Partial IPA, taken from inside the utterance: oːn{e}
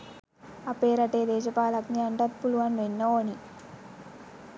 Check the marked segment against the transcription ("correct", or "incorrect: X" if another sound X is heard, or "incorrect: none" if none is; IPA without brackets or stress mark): incorrect: i